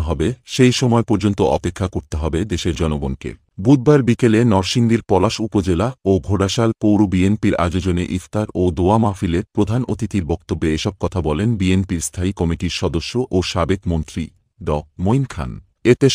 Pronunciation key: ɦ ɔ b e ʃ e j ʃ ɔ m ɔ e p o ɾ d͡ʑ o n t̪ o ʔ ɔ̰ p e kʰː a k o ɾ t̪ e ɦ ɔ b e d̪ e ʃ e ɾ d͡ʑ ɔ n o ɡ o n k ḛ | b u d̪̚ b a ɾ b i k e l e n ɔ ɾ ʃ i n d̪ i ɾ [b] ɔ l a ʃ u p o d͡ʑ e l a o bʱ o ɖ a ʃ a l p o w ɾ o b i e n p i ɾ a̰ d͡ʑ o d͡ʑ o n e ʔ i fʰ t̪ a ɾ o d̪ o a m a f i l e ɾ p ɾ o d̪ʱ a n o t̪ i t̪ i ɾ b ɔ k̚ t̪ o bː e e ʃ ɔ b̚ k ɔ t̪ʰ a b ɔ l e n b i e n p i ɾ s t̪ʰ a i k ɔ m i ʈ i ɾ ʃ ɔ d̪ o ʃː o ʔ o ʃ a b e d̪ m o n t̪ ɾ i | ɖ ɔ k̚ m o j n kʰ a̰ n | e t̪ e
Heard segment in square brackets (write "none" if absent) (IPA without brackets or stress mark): p